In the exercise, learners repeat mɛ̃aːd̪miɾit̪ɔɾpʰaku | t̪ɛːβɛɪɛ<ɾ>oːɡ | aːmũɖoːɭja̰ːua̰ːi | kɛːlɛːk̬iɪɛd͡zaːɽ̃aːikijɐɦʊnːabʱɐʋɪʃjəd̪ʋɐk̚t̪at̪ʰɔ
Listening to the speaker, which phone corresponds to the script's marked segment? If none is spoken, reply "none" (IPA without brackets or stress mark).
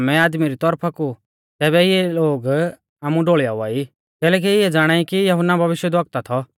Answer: l